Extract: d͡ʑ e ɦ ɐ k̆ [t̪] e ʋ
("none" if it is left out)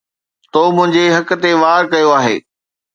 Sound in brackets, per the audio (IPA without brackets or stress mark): t̪